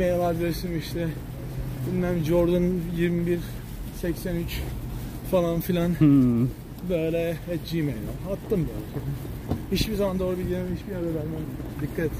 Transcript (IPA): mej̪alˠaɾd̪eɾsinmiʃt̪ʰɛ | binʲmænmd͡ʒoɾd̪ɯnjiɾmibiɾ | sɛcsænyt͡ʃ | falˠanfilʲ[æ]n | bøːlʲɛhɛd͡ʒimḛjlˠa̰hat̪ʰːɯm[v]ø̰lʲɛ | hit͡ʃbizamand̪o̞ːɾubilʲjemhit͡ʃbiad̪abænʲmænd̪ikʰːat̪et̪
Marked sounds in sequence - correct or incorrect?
incorrect, incorrect

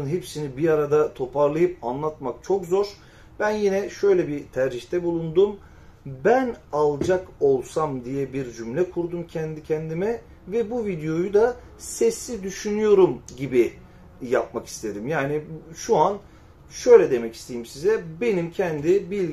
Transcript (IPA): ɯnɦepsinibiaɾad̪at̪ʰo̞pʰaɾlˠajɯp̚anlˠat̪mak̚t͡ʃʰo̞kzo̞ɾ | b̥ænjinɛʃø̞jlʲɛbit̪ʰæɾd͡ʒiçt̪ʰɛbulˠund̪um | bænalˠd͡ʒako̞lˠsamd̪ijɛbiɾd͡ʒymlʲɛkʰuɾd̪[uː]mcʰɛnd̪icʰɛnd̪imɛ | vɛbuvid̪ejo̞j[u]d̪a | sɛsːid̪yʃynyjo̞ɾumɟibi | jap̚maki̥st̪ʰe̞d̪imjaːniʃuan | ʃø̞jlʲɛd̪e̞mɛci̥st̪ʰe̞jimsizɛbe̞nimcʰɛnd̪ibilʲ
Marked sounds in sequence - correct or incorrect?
incorrect, correct

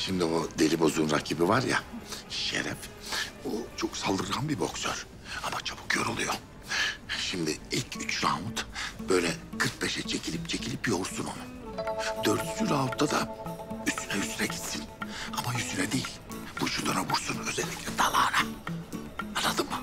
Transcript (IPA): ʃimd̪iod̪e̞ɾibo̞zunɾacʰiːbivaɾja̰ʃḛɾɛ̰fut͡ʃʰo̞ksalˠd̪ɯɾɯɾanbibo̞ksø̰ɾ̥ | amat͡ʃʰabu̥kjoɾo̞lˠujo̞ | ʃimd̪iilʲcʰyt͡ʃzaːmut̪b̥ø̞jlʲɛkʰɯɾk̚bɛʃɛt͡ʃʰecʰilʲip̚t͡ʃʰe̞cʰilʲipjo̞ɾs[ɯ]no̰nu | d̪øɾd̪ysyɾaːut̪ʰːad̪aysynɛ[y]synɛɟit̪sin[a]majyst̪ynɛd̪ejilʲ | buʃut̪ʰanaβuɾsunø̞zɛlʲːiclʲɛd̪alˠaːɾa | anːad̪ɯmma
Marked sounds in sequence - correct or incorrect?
incorrect, correct, correct

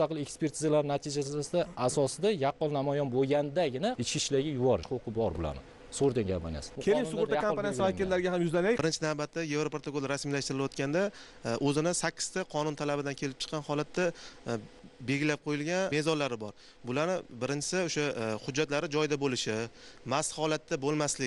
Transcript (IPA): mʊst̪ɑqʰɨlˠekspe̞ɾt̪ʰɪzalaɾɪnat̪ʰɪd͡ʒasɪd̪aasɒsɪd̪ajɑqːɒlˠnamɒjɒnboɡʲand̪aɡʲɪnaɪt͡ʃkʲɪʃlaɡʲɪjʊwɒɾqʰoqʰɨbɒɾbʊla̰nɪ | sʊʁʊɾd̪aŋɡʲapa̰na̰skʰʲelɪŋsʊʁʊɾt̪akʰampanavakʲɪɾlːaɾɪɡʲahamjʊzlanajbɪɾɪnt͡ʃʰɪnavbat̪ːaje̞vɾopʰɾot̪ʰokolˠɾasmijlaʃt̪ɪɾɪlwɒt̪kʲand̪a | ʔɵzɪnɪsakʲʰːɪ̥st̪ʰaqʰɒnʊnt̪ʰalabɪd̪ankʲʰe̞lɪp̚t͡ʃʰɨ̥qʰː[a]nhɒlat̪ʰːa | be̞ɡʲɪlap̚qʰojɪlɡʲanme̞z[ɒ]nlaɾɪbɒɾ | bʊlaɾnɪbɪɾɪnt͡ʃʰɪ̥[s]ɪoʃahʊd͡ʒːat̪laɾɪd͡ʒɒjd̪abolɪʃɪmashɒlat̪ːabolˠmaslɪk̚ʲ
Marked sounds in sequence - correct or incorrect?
incorrect, correct, correct

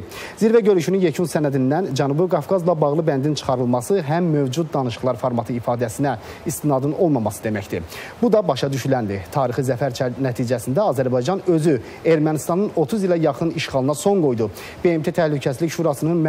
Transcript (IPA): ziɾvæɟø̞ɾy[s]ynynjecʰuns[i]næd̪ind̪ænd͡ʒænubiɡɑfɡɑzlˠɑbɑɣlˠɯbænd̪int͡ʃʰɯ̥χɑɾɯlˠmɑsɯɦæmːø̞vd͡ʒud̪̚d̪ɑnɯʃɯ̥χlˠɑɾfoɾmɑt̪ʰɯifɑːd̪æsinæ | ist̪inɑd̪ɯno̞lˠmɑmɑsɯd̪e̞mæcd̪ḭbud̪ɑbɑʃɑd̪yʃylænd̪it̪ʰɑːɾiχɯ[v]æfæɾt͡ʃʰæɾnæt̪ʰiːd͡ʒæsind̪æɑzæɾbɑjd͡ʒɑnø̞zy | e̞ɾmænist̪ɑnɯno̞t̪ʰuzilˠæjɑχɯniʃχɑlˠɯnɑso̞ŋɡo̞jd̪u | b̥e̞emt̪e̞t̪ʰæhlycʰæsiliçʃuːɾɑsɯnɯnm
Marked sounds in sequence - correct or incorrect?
incorrect, incorrect, incorrect

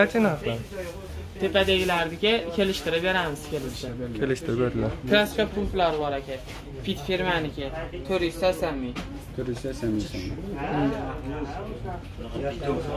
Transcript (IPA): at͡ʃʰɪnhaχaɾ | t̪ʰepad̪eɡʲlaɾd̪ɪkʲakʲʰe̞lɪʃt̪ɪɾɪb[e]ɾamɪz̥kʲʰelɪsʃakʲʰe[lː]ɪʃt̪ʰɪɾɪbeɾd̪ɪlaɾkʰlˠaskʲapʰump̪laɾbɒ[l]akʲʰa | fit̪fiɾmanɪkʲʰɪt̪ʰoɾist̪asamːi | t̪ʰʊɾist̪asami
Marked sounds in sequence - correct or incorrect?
correct, incorrect, incorrect

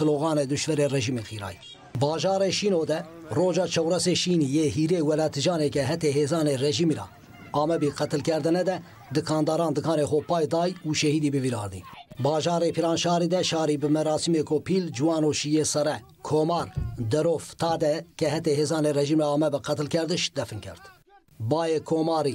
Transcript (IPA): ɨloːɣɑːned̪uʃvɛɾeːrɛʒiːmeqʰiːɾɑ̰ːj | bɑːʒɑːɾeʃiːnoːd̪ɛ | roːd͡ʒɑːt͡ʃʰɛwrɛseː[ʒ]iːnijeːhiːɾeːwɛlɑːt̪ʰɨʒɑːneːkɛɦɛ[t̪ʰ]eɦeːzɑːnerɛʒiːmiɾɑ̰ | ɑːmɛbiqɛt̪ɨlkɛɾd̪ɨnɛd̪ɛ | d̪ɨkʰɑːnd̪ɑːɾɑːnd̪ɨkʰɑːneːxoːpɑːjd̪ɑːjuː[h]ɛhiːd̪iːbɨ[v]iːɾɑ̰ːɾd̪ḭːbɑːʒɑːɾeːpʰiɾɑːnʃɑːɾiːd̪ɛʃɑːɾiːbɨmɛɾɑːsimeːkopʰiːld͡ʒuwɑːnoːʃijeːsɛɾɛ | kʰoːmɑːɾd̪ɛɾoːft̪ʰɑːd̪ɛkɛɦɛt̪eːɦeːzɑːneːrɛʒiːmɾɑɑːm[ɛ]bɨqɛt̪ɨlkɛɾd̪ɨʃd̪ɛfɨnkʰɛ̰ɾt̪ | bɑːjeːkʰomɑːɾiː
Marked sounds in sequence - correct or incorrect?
incorrect, incorrect, incorrect, correct, correct

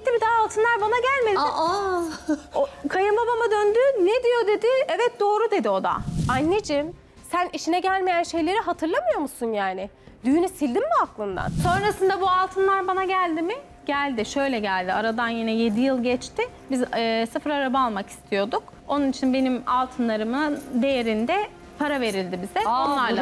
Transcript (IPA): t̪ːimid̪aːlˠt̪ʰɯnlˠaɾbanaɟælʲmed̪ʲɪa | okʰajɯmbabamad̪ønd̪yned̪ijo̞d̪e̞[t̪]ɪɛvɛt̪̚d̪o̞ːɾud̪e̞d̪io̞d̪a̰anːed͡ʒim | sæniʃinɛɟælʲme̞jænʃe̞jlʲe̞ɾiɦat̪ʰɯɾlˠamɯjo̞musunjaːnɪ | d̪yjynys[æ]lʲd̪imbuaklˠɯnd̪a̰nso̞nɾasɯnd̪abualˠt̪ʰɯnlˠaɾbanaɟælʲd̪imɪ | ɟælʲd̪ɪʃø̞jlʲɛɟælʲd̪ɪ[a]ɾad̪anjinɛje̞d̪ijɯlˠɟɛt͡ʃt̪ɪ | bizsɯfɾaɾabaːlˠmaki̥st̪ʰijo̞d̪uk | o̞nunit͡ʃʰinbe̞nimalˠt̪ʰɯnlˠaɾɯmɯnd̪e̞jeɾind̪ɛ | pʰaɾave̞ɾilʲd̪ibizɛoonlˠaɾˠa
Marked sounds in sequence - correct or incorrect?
incorrect, incorrect, correct

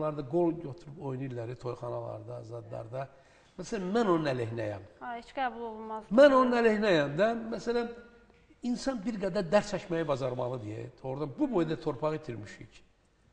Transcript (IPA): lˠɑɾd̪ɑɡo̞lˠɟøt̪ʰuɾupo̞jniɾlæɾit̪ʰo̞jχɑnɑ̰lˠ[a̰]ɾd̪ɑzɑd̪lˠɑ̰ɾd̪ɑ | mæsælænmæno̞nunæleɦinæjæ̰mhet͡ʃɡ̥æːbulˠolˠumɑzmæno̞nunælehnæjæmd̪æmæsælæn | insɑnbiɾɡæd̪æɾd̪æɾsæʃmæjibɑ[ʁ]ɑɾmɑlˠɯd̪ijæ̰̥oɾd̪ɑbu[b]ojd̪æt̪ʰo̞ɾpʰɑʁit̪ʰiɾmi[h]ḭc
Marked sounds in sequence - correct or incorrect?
incorrect, incorrect, correct, incorrect

